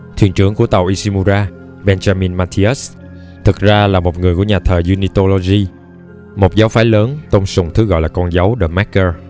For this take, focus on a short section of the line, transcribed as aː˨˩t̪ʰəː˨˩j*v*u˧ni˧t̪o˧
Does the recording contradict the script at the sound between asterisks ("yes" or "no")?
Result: yes